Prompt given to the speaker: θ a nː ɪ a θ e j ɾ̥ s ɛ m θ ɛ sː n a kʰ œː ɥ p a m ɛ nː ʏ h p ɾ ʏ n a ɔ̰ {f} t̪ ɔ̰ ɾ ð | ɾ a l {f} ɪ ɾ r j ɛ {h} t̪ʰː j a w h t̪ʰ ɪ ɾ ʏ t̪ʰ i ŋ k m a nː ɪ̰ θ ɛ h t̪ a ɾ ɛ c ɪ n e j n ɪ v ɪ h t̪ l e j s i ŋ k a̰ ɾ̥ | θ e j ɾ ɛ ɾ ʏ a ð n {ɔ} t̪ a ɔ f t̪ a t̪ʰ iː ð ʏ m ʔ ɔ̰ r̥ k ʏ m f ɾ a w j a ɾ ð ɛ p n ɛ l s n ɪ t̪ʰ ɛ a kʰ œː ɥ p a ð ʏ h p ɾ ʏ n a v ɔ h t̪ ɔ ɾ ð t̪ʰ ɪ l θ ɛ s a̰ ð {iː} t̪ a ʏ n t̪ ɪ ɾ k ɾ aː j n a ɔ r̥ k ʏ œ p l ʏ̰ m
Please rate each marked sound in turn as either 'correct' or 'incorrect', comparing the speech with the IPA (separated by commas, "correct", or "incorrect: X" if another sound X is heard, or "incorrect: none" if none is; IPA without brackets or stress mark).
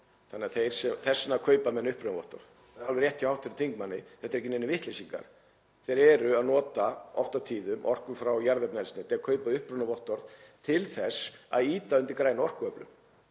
incorrect: h, incorrect: v, correct, incorrect: ɔː, correct